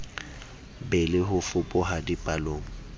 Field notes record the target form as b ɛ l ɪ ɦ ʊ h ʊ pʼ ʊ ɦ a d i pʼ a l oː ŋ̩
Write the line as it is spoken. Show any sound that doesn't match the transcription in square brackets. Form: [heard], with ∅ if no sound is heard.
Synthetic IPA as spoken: b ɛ l ɪ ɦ ʊ [f] ʊ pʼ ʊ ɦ a d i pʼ a l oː ŋ̩